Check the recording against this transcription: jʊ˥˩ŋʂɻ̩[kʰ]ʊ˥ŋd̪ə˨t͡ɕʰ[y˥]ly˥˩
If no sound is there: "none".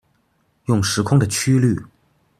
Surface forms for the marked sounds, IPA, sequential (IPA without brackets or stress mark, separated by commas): kʰ, y˥